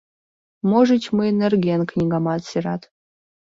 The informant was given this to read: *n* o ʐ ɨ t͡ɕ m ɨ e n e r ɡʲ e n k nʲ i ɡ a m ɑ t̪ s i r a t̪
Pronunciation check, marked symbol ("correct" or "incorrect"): incorrect